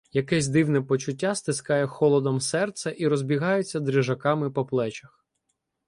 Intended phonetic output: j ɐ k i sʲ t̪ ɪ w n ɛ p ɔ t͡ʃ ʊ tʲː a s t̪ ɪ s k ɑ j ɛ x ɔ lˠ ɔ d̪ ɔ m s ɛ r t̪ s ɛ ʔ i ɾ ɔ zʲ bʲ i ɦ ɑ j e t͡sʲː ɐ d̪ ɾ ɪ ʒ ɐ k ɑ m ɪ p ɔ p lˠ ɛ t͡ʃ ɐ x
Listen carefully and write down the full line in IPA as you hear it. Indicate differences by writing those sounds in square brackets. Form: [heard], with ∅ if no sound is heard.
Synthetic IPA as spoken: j ɐ k [ɛ] sʲ [d̪] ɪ w n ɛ p ɔ t͡ʃ ʊ tʲː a s t̪ ɪ s k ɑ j ɛ x ɔ lˠ ɔ d̪ ɔ m s ɛ r t̪ s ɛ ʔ i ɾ ɔ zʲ bʲ i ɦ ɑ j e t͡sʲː ɐ d̪ ɾ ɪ ʒ ɐ k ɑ m ɪ p ɔ p lˠ ɛ t͡ʃ ɐ x